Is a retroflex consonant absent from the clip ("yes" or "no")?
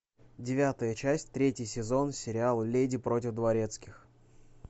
yes